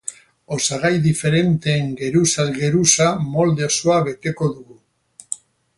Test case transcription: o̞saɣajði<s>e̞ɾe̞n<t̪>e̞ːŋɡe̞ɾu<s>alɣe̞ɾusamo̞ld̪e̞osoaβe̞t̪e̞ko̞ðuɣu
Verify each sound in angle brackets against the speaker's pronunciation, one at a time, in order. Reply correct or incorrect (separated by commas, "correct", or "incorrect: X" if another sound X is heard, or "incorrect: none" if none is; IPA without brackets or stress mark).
incorrect: f, correct, correct